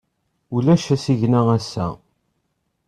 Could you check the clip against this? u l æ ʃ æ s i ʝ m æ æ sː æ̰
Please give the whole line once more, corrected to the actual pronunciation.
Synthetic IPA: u l æ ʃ æ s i ʝ n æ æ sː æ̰